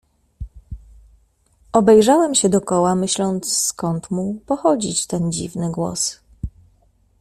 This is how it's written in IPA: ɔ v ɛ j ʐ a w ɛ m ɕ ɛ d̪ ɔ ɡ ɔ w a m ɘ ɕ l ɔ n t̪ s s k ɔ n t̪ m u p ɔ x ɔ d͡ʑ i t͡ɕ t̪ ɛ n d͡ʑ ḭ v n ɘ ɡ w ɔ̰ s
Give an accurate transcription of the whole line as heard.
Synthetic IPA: ɔ b ɛ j ʐ a w ɛ m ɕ ɛ d̪ ɔ k ɔ w a m ɘ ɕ l ɔ n t̪ s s k ɔ n t̪ m u p ɔ x ɔ d͡ʑ i t͡ɕ t̪ ɛ n d͡ʑ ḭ v n ɘ ɡ w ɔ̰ s

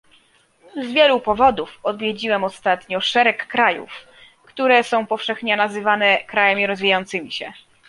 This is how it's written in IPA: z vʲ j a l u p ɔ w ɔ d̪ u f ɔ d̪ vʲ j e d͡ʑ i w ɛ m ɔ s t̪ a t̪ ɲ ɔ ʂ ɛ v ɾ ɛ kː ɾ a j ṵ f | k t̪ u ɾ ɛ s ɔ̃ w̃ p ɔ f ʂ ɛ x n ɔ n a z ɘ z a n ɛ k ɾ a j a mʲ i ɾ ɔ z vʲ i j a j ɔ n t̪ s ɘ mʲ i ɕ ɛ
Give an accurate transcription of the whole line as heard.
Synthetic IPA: z vʲ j ɛ l u p ɔ v ɔ d̪ u f ɔ d̪ vʲ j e d͡ʑ i w ɛ m ɔ s t̪ a t̪ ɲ ɔ ʂ ɛ ɾ ɛ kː ɾ a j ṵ f | k t̪ u ɾ ɛ s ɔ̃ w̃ p ɔ f ʂ ɛ x ɲ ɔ n a z ɘ v a n ɛ k ɾ a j a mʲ i ɾ ɔ z vʲ i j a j ɔ n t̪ s ɘ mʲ i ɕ ɛ

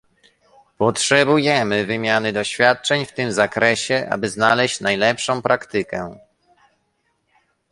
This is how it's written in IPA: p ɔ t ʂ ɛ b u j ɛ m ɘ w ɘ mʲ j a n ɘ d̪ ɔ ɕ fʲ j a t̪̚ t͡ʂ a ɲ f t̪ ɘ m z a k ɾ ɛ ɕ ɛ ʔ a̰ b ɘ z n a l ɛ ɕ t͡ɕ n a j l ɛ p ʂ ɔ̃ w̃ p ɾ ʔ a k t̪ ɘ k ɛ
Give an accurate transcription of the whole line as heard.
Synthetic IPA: p ɔ t ʂ ɛ b u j ɛ m ɘ v ɘ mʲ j a n ɘ d̪ ɔ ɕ fʲ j a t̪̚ t͡ʂ ɛ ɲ f t̪ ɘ m z a k ɾ ɛ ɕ ɛ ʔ a̰ b ɘ z n a l ɛ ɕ t͡ɕ n a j l ɛ p ʂ ɔ̃ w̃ p ɾ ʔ a k t̪ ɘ k ɛ

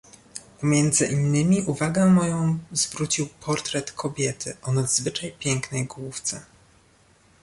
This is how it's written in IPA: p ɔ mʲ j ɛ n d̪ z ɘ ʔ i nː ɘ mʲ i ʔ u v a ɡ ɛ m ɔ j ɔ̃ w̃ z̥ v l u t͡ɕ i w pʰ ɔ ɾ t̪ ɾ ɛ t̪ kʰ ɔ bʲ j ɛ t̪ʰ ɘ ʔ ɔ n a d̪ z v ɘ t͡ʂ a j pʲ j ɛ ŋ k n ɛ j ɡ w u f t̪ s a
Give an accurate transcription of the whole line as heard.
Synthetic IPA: p ɔ mʲ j ɛ n d̪ z ɘ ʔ i nː ɘ mʲ i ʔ u v a ɡ ɛ m ɔ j ɔ̃ w̃ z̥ v ɾ u t͡ɕ i w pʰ ɔ ɾ t̪ ɾ ɛ t̪ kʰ ɔ bʲ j ɛ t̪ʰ ɘ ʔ ɔ n a d̪ z v ɘ t͡ʂ a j pʲ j ɛ ŋ k n ɛ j ɡ w u f t̪ s ɛ

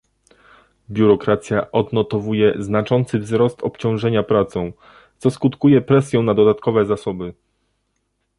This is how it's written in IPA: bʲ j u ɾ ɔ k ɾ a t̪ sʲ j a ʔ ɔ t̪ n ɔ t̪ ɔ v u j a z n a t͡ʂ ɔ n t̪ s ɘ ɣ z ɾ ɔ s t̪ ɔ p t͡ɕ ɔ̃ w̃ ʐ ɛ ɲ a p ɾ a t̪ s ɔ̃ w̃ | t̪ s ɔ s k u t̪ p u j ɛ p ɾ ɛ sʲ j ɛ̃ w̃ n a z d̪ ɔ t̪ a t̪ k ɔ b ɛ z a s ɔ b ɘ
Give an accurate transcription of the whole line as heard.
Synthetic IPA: bʲ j u ɾ ɔ k ɾ a t̪ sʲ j a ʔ ɔ d̪ n ɔ t̪ ɔ v u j ɛ z n a t͡ʂ ɔ n t̪ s ɘ v z ɾ ɔ s t̪ ɔ p t͡ɕ ɔ̃ w̃ ʐ ɛ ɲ a p ɾ a t̪ s ɔ̃ w̃ | t̪ s ɔ s k u t̪ k u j ɛ p ɾ ɛ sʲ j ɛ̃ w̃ n a d̪ ɔ d̪ a t̪ k ɔ v ɛ z a s ɔ b ɘ

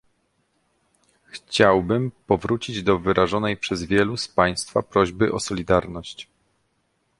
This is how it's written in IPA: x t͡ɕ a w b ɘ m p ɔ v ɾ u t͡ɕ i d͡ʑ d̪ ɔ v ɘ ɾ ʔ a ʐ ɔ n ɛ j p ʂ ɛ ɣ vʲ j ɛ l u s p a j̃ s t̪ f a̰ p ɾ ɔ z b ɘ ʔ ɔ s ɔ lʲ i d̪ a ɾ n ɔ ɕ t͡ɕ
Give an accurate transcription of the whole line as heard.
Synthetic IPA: x t͡ɕ a w b ɘ m p ɔ v ɾ u t͡ɕ i d͡ʑ d̪ ɔ v ɘ ɾ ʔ a ʐ ɔ n ɛ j p ʂ ɛ z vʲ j ɛ l u s p a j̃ s t̪ f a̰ p ɾ ɔ ʑ b ɘ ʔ ɔ s ɔ lʲ i d̪ a ɾ n ɔ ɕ t͡ɕ

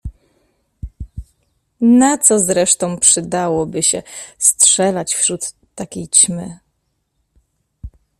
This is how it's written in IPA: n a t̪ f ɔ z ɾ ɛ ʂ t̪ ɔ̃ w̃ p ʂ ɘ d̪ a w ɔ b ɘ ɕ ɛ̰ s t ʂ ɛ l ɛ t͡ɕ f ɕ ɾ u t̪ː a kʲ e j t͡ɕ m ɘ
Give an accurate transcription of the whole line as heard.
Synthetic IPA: n a t̪ s ɔ z ɾ ɛ ʂ t̪ ɔ̃ w̃ p ʂ ɘ d̪ a w ɔ b ɘ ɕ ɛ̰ s t ʂ ɛ l a t͡ɕ f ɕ ɾ u t̪ː a kʲ e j t͡ɕ m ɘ

